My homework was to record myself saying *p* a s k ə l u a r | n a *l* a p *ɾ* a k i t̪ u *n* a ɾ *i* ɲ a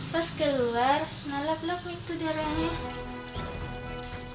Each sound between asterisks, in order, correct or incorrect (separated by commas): correct, correct, incorrect, incorrect, incorrect